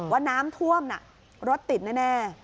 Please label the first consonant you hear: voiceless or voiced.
voiced